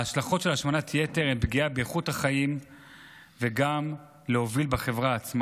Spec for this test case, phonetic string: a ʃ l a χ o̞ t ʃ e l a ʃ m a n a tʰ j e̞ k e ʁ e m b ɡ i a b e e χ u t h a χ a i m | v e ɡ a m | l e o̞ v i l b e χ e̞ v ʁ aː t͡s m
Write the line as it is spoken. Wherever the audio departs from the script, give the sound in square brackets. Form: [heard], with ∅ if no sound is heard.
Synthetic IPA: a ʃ l a χ o̞ t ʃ e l a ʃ m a n a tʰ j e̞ [t] e ʁ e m b ɡ i a b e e χ u t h a χ a i m | v e ɡ a m | l e o̞ v i l b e χ e̞ v ʁ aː t͡s m